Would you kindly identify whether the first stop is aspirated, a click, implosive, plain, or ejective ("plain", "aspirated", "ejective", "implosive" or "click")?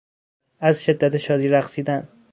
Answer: plain